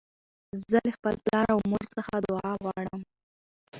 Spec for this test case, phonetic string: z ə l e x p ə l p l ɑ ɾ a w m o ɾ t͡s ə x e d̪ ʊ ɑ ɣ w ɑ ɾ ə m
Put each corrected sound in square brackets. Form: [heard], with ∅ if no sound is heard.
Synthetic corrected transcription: z ə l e x p ə l p l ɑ ɾ a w m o ɾ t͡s ə x [a] d̪ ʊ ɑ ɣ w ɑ [ɽ] ə m